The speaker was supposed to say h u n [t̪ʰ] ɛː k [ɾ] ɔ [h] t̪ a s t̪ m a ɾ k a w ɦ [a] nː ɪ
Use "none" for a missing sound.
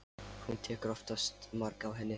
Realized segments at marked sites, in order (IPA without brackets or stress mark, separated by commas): t̪ʰ, ɾ, f, ɛ